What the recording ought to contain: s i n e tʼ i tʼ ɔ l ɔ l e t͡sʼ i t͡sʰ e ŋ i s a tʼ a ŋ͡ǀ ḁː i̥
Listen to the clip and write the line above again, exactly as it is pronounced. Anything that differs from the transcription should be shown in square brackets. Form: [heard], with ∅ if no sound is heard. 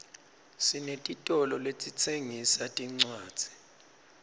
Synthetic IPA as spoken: s i n e tʼ i tʼ ɔ l ɔ l e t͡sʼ i t͡sʰ e ŋ i s a tʼ [i] ŋ͡ǀ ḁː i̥